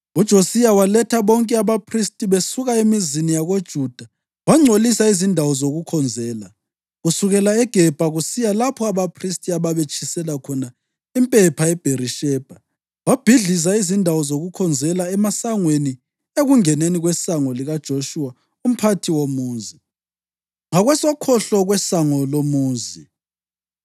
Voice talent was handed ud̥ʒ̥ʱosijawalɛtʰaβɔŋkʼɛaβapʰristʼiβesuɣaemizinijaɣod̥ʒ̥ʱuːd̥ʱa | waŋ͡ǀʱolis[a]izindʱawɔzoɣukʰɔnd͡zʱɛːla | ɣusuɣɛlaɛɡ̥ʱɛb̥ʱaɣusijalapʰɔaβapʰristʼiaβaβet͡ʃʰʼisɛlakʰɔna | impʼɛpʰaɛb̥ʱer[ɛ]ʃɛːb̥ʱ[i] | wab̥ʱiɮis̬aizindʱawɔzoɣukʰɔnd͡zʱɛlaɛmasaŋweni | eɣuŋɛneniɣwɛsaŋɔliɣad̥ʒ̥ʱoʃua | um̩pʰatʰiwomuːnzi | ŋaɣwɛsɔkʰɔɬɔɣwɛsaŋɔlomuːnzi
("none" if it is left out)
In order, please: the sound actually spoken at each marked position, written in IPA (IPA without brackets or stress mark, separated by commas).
a, i, a